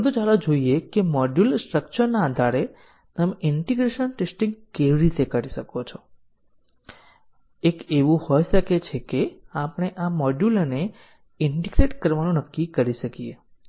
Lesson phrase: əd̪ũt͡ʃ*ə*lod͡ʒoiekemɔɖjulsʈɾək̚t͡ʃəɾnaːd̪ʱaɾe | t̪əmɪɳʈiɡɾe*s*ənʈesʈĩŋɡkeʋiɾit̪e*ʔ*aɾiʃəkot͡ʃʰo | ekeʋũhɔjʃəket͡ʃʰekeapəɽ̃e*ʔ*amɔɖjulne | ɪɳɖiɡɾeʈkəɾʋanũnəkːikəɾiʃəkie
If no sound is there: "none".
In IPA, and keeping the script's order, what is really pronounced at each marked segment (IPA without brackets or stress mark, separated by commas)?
a, ʃ, k, ʔ